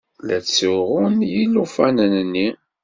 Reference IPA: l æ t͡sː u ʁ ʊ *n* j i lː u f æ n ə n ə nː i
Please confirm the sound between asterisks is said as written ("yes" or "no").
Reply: yes